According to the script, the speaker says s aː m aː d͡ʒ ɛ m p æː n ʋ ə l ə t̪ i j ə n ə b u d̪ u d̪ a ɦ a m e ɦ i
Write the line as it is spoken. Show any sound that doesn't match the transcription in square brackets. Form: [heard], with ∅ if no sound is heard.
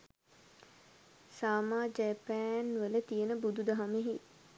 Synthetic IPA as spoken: s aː m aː d͡ʒ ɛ [∅] p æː n ʋ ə l ə t̪ i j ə n ə b u d̪ u d̪ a ɦ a m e ɦ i